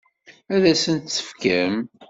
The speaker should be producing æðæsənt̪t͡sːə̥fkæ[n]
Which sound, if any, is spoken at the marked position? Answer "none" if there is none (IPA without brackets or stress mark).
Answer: m